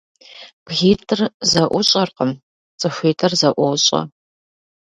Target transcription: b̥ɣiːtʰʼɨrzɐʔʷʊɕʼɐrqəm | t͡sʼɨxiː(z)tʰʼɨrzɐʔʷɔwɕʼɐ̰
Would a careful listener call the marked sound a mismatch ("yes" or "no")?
yes